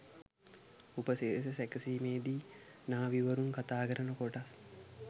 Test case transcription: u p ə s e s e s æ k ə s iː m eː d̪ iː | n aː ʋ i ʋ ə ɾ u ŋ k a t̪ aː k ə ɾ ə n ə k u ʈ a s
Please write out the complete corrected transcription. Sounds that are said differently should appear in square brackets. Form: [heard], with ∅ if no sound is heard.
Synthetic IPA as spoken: u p ə s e s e s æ k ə s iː m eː d̪ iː | n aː ʋ i ʋ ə ɾ u ŋ k a t̪ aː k ə ɾ ə n ə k [o] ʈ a s